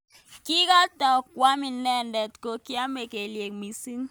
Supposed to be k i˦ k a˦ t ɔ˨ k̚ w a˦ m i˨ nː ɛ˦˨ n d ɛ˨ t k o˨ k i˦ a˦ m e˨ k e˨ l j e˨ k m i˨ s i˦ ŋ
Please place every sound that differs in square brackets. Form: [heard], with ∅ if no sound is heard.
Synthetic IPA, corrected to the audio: k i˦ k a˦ t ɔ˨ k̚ w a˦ m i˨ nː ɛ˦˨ n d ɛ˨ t k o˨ k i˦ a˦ m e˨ k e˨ l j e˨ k m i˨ s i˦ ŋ